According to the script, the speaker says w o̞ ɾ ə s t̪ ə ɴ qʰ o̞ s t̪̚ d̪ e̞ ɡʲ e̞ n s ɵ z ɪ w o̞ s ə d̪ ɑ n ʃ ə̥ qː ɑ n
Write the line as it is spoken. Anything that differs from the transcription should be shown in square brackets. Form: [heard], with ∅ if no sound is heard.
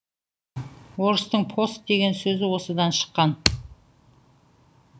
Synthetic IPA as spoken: w o̞ ɾ ə s t̪ ə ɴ [pʰ] o̞ s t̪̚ d̪ e̞ ɡʲ e̞ n s ɵ z ɪ w o̞ s ə d̪ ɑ n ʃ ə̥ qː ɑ n